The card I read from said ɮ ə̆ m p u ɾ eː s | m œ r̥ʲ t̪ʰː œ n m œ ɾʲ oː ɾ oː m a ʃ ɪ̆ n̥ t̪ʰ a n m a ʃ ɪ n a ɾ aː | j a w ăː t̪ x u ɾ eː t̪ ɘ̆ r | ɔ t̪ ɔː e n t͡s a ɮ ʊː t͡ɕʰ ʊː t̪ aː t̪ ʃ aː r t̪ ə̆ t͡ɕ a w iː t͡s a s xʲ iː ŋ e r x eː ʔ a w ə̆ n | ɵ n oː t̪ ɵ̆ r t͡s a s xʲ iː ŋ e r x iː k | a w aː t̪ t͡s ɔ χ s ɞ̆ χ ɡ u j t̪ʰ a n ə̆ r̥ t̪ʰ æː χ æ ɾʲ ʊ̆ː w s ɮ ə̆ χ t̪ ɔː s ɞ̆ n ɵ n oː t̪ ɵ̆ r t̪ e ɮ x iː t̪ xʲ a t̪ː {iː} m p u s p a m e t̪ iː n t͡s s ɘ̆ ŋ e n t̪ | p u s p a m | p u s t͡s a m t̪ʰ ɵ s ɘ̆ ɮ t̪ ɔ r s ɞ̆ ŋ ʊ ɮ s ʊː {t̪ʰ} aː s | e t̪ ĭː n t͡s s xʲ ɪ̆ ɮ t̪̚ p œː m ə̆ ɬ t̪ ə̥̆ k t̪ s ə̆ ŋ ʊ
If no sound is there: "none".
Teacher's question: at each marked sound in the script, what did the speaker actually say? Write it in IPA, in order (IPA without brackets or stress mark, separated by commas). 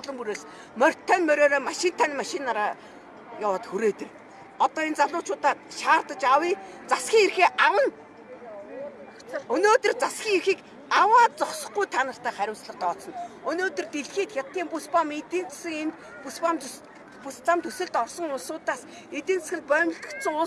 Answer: iː, t̪